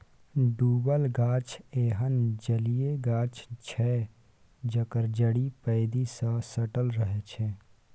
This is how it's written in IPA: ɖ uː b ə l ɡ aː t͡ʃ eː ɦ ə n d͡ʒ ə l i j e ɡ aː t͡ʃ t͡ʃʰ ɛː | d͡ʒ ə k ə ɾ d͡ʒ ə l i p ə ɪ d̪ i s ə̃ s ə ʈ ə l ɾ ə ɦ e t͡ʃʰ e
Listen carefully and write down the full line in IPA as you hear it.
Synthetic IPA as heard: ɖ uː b ə l ɡ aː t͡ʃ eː ɦ ə n d͡ʒ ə l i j e ɡ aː t͡ʃ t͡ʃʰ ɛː | d͡ʒ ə k ə ɾ d͡ʒ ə ɽ i p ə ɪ d̪ i s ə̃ s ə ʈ ə l ɾ ə ɦ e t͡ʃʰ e